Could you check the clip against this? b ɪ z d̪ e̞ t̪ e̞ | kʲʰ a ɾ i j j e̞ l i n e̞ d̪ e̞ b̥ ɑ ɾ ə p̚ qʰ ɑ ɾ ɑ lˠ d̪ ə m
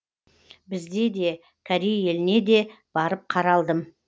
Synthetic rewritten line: b ɪ z d̪ e̞ d̪ e̞ | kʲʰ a ɾ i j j e̞ l ɪ n e̞ d̪ e̞ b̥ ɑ ɾ ə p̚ qʰ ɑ ɾ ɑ lˠ d̪ ə m